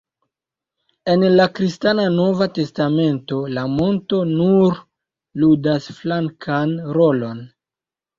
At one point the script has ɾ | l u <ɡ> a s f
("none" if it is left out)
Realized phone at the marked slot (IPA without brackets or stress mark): d